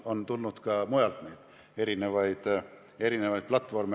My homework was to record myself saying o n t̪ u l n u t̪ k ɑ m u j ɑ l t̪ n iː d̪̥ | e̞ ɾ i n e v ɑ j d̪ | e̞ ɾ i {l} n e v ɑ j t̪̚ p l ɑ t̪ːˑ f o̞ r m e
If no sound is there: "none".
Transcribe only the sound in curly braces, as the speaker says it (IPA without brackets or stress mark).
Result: none